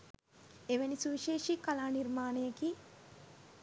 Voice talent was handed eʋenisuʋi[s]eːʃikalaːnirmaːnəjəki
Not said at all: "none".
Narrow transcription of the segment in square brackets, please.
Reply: ʃ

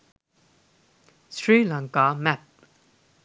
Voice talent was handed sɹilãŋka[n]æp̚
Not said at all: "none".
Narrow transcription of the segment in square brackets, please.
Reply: m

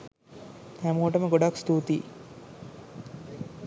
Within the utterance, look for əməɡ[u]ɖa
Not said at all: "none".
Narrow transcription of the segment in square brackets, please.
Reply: o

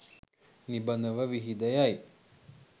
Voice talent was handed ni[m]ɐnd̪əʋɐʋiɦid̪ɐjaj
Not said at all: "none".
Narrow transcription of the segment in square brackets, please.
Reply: b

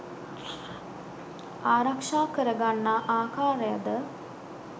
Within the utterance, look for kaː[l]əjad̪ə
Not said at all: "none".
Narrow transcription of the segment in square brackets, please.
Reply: ɾ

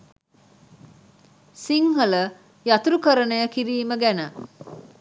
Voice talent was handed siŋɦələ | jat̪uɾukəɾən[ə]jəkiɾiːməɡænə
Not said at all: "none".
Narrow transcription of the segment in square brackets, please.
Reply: ə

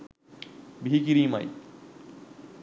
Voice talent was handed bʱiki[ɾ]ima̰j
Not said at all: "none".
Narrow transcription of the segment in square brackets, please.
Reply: ɾ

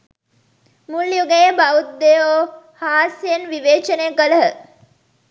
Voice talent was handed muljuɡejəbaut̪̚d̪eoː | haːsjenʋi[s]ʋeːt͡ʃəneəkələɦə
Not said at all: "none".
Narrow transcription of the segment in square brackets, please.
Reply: none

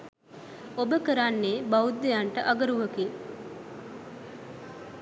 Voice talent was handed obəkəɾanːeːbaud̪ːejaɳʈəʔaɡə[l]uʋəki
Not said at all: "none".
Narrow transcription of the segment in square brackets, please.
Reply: ɾ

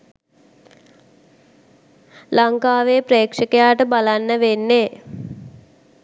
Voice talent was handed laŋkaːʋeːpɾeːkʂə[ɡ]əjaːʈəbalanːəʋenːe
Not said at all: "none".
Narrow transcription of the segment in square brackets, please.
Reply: k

